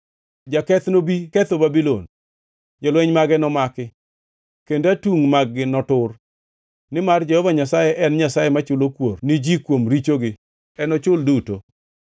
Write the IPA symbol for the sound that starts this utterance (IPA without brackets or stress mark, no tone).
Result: d͡ʒ